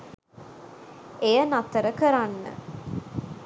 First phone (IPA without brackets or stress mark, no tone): e